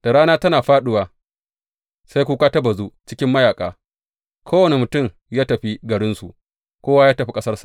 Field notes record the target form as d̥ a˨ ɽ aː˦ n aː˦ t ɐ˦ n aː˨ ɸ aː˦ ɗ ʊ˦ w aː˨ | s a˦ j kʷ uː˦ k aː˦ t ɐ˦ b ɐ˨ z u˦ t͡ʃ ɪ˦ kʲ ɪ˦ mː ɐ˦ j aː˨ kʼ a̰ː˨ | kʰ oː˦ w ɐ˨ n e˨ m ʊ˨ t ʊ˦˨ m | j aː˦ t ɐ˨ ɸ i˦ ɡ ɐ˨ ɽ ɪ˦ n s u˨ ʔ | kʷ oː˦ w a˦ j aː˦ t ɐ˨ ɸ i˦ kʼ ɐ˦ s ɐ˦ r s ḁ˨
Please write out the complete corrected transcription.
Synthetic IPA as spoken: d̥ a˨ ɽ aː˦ n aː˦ t ɐ˦ n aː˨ ɸ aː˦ ɗ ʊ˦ w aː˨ | s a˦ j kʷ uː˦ k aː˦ t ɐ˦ b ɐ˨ z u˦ t͡ʃ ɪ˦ kʲ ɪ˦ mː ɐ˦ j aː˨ kʼ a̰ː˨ | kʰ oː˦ w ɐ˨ n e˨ m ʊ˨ t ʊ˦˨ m | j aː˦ t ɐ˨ ɸ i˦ ɡ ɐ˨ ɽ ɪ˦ n s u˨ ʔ | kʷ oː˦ w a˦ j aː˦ t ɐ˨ ɸ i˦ kʼ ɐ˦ s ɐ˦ r s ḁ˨

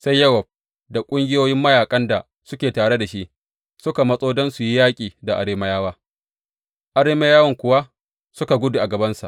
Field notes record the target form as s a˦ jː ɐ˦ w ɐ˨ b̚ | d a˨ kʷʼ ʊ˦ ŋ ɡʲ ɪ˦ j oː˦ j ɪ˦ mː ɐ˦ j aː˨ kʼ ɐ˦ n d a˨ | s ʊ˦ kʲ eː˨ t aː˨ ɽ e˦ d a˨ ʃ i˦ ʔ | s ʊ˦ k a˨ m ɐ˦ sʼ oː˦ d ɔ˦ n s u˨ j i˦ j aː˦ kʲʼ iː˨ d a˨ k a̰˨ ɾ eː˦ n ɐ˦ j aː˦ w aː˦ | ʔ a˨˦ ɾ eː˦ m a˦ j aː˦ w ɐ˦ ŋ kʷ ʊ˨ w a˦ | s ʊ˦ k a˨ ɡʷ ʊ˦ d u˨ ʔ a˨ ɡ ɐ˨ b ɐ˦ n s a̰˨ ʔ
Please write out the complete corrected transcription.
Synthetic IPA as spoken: s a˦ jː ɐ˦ w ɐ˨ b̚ | d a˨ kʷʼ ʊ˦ ŋ ɡʲ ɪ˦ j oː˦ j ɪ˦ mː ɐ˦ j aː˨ kʼ ɐ˦ n d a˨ | s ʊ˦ kʲ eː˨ t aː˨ ɽ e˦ d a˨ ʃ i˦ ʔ | s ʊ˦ k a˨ m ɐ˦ sʼ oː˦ d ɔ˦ n s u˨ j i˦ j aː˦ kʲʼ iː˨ d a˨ ʔ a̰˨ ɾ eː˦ m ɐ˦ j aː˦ w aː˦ | ʔ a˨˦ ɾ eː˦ m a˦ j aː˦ w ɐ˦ ŋ kʷ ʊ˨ w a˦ | s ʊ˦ k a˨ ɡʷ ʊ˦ d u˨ ʔ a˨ ɡ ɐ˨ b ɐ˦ n s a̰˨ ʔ

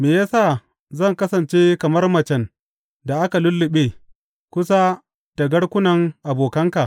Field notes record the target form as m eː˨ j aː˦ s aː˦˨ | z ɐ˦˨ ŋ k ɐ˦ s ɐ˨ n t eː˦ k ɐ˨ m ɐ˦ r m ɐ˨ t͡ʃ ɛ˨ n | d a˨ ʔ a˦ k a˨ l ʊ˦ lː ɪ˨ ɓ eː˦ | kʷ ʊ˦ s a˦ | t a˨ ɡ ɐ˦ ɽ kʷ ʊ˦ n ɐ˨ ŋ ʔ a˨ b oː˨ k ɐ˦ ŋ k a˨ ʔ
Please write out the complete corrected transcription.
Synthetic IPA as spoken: m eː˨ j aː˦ s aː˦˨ | z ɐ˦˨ ŋ k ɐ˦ s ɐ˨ n t͡ʃ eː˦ k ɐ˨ m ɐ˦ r m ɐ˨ t͡ʃ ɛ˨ n | d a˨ ʔ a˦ k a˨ l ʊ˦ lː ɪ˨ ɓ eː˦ | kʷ ʊ˦ s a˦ | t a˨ ɡ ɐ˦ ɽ kʷ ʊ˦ n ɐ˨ ŋ ʔ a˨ b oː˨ k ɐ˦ ŋ k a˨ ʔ

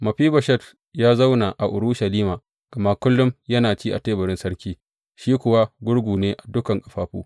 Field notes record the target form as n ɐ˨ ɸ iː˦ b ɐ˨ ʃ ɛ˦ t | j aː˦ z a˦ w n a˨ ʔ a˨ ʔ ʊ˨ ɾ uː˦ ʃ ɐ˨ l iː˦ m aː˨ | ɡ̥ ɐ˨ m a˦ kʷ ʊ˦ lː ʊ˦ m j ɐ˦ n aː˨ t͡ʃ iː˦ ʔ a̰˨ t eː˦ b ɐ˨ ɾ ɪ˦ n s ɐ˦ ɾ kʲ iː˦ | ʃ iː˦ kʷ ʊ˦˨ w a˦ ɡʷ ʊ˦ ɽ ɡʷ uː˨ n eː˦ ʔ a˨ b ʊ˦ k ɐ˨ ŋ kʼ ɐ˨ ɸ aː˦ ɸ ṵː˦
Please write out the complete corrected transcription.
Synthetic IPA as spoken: m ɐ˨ ɸ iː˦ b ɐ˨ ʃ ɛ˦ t | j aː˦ z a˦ w n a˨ ʔ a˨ ʔ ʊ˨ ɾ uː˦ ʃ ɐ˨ l iː˦ m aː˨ | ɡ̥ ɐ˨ m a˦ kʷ ʊ˦ lː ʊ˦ m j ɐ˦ n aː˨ t͡ʃ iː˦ ʔ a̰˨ t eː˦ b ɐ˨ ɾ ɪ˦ n s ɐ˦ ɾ kʲ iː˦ | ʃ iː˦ kʷ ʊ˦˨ w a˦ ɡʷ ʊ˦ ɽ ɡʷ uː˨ n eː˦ ʔ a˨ d ʊ˦ k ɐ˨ ŋ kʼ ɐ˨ ɸ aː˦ ɸ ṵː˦

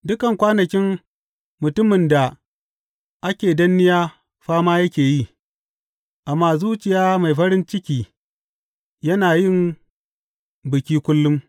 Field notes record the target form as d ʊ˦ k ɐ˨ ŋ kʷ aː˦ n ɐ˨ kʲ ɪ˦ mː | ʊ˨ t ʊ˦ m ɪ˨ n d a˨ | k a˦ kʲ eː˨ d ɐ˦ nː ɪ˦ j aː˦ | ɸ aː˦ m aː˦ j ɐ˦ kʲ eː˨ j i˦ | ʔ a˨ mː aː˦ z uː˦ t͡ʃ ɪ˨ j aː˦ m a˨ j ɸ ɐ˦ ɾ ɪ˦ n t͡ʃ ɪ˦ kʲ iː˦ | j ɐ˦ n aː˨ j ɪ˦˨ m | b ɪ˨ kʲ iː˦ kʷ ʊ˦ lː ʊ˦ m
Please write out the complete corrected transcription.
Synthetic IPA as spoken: d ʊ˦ k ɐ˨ ŋ kʷ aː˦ n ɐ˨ kʲ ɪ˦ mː | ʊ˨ t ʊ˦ m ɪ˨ n d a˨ | ʔ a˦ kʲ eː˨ d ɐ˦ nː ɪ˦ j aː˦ | ɸ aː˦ m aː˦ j ɐ˦ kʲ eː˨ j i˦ | ʔ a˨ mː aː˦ z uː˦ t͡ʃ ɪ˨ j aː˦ m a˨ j ɸ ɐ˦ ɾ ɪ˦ n t͡ʃ ɪ˦ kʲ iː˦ | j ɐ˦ n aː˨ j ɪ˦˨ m | b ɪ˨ kʲ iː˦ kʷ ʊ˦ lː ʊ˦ m

